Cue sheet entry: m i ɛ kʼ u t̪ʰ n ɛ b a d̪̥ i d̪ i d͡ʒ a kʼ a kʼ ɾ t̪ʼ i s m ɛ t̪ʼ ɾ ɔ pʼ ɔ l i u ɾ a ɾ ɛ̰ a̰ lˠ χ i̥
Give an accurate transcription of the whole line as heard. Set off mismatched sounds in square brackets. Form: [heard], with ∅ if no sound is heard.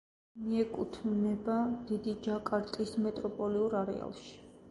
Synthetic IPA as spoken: m i ɛ kʼ u t̪ʰ n ɛ b a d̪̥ i d̪ i d͡ʒ a kʼ a [∅] ɾ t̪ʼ i s m ɛ t̪ʼ ɾ ɔ pʼ ɔ l i u ɾ a ɾ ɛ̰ a̰ lˠ [ʃ] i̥